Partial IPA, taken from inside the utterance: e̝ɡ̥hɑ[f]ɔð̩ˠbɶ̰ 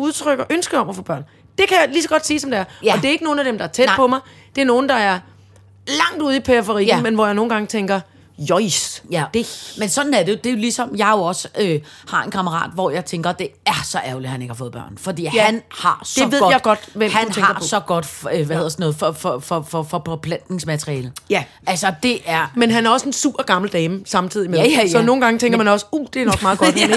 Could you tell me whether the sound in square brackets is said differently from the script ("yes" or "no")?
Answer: no